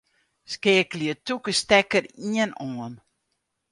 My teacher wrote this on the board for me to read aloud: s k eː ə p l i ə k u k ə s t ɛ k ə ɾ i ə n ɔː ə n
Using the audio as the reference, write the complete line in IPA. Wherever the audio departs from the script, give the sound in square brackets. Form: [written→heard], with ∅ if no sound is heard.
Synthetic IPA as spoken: s k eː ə [p→k] l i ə [k→t] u k ə s t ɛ k ə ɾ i ə n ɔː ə n

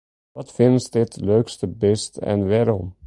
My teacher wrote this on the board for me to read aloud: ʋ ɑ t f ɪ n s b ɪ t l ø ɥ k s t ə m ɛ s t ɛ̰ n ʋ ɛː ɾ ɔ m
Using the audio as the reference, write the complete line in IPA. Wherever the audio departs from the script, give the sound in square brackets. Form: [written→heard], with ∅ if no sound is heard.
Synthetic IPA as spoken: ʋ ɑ t f ɪ n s [b→d] ɪ t l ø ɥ k s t ə [m→b] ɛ s t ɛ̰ n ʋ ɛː ɾ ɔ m

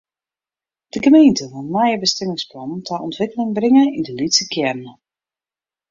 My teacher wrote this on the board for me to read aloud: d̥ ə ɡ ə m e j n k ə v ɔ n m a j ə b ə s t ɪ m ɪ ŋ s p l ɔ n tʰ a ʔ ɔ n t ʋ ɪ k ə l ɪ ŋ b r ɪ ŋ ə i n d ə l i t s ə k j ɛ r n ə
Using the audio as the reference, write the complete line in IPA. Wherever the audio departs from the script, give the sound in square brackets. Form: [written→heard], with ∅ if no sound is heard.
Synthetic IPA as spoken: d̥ ə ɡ ə m e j n [k→t] ə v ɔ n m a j ə b ə s t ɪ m ɪ ŋ s p l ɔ n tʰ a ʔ ɔ n t ʋ ɪ k ə l ɪ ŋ b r ɪ ŋ ə i n d ə l i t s ə k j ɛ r n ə

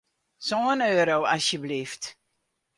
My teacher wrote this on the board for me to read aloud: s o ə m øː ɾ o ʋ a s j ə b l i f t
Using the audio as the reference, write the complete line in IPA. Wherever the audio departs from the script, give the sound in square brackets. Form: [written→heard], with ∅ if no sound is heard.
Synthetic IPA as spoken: s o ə [m→n] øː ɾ o [ʋ→w] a s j ə b l i f t

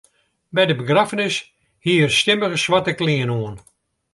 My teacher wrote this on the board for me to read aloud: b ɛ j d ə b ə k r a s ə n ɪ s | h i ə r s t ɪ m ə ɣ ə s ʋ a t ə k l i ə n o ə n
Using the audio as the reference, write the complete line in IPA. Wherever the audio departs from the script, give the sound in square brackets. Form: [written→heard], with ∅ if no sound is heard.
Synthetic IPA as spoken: b ɛ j d ə b ə [k→ɡ] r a [s→f] ə n ɪ s | h i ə r s t ɪ m ə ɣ ə s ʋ a t ə k l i ə n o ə n

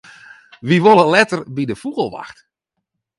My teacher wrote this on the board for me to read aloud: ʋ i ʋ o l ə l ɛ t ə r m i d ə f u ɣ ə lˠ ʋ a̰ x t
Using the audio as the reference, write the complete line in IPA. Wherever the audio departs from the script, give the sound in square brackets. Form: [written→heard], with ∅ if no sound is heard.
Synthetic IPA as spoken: ʋ i ʋ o l ə l ɛ t ə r [m→b] i d ə f u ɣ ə lˠ ʋ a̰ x t

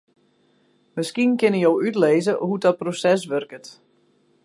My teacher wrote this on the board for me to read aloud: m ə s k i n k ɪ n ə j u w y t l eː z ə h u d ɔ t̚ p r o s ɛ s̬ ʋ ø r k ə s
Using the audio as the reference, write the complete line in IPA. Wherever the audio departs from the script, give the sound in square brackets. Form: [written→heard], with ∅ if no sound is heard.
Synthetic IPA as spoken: m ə s k i n k ɪ n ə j [u→o] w y t l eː z ə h u d ɔ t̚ p r o s ɛ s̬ ʋ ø r k ə [s→t]

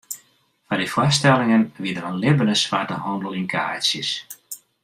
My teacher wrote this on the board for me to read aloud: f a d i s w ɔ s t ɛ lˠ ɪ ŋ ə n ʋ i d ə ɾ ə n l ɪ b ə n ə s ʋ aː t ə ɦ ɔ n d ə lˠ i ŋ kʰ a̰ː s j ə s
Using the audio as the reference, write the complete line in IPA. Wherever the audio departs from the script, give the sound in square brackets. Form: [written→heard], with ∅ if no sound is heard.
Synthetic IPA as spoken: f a d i [s→f] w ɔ s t ɛ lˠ ɪ ŋ ə n ʋ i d ə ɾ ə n l ɪ b ə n ə s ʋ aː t ə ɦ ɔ n d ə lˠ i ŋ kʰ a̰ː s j ə s

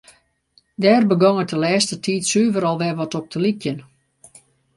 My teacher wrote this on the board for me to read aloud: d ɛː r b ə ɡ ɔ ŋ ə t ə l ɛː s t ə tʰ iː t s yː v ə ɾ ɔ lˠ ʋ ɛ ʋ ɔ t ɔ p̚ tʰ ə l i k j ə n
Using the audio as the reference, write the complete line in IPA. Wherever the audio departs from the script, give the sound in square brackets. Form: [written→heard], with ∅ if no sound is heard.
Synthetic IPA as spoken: d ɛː r b ə ɡ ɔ ŋ ə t ə l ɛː s t ə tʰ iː t s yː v ə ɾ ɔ lˠ ʋ ɛ ʋ ɔ t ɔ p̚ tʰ ə l i k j ə n

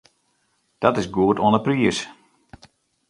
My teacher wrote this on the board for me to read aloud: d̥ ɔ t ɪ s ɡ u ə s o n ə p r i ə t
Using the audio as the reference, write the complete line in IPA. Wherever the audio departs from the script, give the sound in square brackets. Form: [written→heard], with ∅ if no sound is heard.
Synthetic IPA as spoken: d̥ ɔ t ɪ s ɡ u ə [s→t] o n ə p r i ə [t→s]

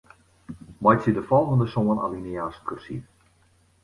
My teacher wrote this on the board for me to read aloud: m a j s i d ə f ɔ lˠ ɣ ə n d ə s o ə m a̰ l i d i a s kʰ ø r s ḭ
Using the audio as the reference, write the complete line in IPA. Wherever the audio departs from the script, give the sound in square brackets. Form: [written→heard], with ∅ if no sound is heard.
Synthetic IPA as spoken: m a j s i d ə f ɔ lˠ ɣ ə n d ə s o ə [m→n] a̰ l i [d→n] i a s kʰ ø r s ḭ

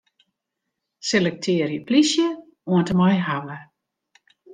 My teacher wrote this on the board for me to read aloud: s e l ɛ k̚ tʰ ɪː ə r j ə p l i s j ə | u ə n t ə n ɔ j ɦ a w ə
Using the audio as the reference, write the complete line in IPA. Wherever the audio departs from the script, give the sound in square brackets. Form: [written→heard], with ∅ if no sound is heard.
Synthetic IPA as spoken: s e l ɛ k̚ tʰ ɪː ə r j ə p l i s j ə | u ə n t ə [n→m] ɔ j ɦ a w ə

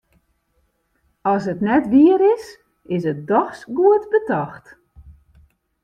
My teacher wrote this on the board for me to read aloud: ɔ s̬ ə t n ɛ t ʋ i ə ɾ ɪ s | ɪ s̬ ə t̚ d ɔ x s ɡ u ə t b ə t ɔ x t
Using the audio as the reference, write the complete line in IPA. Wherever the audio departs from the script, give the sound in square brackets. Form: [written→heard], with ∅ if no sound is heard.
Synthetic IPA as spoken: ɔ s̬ ə t n ɛ t ʋ i ə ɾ ɪ s | ɪ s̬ ə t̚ d ɔ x s ɡ u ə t b ə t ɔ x t

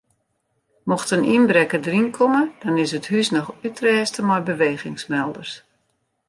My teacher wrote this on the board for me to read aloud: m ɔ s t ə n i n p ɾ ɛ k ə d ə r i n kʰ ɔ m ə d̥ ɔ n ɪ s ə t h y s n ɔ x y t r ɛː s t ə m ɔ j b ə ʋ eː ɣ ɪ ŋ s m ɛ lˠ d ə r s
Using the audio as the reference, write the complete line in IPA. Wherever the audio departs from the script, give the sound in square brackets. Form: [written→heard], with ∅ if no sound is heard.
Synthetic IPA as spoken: m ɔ [s→x] t ə n i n [p→b] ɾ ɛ k ə d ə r i n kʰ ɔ m ə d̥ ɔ n ɪ s ə t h y s n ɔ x y t r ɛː s t ə m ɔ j b ə ʋ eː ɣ ɪ ŋ s m ɛ lˠ d ə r s

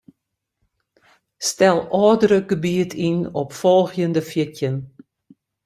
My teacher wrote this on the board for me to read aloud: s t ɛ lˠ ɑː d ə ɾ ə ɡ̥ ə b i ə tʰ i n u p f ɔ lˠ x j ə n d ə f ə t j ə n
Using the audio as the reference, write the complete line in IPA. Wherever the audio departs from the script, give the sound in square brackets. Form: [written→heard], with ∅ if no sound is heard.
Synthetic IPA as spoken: s t ɛ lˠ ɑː d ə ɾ ə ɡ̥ ə b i ə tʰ i n [u→ɔ] p f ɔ lˠ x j ə n d ə f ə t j ə n

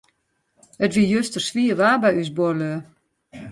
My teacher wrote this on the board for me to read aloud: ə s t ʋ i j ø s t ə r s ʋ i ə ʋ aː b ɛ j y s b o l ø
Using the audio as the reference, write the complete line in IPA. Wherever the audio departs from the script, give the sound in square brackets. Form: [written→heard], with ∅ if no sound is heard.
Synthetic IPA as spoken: ə [s→∅] t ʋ i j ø s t ə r s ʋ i ə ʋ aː b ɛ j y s b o l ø

